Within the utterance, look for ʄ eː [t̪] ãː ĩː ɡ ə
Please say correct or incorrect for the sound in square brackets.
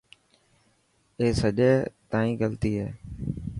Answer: correct